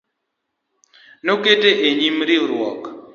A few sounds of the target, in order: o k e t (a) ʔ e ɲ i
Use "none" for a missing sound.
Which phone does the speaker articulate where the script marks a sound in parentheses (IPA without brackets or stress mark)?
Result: e